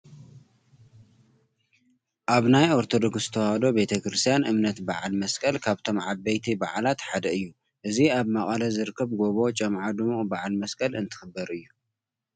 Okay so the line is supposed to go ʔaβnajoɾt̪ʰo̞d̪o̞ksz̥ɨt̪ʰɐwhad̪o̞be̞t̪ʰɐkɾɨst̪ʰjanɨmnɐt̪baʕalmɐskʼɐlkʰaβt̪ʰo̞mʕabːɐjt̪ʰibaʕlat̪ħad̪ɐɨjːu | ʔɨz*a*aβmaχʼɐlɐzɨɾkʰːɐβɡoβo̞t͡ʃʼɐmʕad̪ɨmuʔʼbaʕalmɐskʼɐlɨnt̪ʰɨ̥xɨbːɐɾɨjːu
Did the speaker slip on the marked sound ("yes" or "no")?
yes